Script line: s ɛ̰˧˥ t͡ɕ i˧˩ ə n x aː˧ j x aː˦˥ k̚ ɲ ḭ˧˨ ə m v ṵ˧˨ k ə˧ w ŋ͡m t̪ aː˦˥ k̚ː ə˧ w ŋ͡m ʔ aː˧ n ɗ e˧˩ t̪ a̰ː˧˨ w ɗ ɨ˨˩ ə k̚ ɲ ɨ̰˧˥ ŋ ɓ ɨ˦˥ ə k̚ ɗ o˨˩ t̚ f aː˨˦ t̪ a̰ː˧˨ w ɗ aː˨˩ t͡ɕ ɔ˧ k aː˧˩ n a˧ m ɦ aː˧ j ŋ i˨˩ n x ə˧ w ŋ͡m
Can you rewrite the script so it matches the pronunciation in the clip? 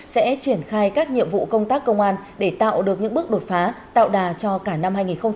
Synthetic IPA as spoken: s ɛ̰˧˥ t͡ɕ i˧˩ ə n x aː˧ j k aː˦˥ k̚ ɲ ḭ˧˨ ə m v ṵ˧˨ k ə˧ w ŋ͡m t̪ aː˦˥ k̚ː ə˧ w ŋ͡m ʔ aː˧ n ɗ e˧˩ t̪ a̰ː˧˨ w ɗ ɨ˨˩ ə k̚ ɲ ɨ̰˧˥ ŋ ɓ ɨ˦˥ ə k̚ ɗ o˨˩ t̚ f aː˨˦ t̪ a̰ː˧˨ w ɗ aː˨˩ t͡ɕ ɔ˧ k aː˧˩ n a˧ m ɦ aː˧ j ŋ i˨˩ n x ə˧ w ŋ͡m